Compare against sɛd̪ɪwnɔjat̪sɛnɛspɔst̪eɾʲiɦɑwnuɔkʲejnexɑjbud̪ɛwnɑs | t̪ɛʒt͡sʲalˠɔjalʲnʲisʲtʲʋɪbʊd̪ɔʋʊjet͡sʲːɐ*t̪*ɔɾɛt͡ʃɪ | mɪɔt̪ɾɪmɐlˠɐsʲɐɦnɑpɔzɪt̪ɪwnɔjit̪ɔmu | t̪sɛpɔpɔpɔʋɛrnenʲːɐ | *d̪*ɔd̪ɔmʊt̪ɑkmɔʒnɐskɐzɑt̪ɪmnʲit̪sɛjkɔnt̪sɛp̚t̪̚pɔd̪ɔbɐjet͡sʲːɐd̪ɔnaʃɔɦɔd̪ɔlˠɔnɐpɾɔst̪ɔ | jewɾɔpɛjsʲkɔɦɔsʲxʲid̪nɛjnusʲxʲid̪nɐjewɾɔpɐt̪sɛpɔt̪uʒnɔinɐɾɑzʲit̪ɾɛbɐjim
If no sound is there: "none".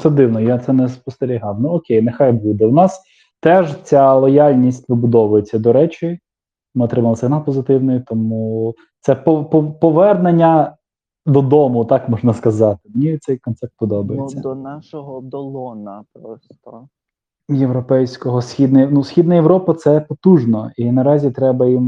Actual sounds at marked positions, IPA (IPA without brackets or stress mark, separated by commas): d̪, d̪